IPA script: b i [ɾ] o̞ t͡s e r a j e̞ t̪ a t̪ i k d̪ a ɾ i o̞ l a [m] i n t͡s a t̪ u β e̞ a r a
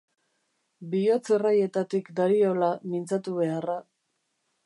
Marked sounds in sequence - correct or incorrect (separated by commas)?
incorrect, correct